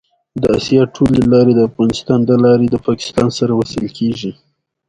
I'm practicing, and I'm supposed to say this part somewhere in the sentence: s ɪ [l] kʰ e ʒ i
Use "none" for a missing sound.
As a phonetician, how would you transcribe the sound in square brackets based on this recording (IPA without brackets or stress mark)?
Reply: l